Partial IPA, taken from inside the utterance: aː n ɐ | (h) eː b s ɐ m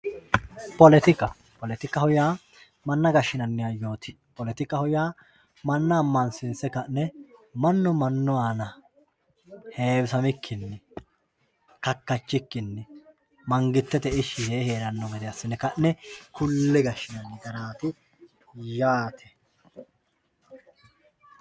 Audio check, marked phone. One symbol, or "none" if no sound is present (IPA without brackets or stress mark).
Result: h